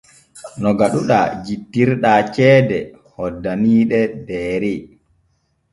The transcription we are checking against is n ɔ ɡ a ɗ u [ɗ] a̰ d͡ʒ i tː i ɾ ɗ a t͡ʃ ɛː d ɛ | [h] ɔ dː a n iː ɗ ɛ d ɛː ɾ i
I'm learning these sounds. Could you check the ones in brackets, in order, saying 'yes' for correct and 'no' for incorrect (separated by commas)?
yes, yes